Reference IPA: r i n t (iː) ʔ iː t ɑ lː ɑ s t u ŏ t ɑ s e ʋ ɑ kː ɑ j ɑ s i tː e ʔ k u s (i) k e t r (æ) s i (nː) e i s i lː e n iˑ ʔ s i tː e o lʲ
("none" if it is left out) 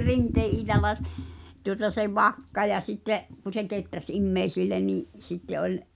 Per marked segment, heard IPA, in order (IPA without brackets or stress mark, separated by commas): eː, e, æ, mː